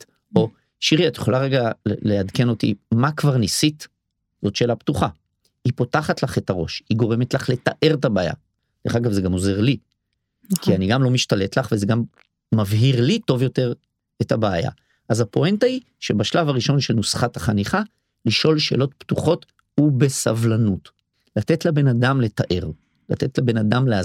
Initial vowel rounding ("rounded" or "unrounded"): rounded